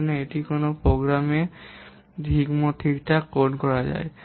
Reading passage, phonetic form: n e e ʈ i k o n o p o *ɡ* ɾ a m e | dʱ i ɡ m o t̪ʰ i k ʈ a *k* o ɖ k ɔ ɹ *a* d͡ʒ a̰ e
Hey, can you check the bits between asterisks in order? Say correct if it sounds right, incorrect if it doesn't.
correct, correct, correct

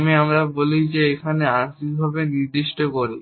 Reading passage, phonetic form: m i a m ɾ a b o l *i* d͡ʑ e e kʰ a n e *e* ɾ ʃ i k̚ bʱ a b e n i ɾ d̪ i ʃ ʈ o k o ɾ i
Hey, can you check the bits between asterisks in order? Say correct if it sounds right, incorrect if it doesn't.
correct, incorrect: a

